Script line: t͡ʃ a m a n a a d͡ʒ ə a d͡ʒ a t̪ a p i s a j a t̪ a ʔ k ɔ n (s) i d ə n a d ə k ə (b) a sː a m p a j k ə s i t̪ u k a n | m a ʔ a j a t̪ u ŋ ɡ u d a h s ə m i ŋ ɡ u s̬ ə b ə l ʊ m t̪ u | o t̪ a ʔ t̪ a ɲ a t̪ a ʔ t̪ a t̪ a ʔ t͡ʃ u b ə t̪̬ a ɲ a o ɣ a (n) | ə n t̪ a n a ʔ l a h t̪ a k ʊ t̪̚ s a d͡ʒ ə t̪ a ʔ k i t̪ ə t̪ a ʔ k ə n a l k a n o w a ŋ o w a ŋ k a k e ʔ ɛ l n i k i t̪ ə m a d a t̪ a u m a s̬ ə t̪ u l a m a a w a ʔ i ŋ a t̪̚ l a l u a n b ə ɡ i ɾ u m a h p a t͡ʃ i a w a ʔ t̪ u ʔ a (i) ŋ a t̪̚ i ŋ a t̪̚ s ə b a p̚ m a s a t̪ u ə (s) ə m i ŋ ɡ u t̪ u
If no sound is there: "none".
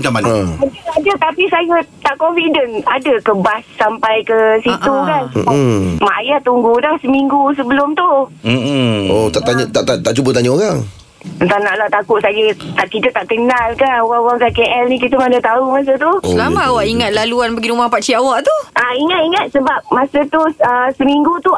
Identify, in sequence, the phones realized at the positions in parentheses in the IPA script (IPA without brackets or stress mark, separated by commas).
f, b, ŋ, i, s